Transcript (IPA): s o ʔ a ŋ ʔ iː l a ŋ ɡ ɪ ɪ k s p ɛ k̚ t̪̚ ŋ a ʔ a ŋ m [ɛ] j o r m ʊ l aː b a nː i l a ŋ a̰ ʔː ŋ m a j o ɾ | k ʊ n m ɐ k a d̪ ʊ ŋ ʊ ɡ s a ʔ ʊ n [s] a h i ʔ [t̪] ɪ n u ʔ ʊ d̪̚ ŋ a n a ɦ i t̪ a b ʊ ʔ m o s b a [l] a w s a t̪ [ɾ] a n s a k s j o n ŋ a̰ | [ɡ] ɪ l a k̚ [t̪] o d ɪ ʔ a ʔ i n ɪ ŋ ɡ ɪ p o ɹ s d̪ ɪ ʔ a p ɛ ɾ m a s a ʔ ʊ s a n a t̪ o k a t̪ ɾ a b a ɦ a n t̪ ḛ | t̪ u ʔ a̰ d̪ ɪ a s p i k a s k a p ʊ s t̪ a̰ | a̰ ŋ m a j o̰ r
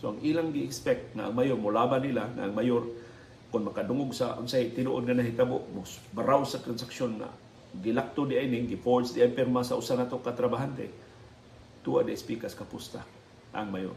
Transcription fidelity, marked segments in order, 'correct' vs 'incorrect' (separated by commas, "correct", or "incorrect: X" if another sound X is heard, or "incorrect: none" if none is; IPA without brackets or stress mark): incorrect: a, correct, correct, incorrect: ɾ, correct, correct, correct